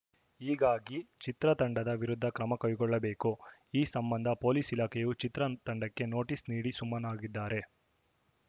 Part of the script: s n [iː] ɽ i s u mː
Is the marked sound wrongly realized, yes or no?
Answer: no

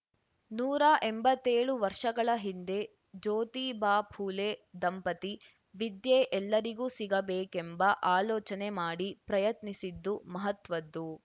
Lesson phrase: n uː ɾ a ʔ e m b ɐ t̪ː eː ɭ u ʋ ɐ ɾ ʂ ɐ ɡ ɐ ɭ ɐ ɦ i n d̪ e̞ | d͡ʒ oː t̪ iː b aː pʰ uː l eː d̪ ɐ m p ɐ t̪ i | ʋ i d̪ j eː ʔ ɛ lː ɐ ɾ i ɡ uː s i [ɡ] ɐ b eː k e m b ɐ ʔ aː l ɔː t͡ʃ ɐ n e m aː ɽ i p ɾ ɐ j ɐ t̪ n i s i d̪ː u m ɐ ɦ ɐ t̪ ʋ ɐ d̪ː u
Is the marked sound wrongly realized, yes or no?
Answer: no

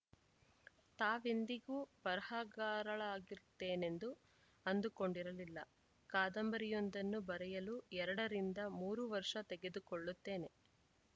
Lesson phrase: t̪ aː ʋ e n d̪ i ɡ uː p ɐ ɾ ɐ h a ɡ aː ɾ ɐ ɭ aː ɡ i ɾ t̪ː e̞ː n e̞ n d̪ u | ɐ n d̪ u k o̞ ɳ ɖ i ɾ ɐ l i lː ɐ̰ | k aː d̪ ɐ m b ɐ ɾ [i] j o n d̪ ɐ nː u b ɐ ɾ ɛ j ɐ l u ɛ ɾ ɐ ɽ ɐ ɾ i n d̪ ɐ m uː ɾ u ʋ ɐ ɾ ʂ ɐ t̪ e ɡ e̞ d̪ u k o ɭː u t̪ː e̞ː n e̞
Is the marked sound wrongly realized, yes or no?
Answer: no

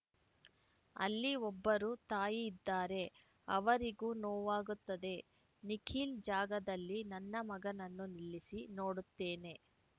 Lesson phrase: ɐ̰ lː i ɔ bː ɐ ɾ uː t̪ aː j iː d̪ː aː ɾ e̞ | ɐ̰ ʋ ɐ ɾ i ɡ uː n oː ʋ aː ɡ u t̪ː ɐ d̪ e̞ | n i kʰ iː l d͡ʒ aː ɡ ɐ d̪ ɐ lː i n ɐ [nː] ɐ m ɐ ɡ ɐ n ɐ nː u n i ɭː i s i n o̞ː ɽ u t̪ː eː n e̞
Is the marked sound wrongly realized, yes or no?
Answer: no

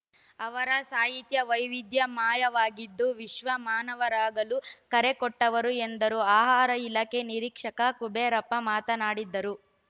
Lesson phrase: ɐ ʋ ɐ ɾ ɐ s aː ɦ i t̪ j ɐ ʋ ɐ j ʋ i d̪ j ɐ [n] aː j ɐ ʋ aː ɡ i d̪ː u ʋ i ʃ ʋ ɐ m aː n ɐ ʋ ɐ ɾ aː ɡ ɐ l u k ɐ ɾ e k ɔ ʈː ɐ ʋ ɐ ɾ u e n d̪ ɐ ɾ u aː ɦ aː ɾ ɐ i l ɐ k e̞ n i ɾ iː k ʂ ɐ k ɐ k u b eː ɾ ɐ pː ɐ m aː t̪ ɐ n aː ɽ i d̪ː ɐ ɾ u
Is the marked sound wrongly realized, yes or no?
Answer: yes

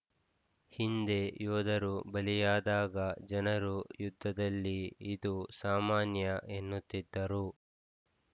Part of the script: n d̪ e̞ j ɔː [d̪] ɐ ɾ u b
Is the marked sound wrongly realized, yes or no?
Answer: no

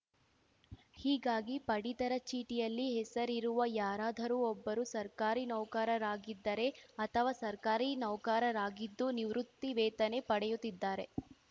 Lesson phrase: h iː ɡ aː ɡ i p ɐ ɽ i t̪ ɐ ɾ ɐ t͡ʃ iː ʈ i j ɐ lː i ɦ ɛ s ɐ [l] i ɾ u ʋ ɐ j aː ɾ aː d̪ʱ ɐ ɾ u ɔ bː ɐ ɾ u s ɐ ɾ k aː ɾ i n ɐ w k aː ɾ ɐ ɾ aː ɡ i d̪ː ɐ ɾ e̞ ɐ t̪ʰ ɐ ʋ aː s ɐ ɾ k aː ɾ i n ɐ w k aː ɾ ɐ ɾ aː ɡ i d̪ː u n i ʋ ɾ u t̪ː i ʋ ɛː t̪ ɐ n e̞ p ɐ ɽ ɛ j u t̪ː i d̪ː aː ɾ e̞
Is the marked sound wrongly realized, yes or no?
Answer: yes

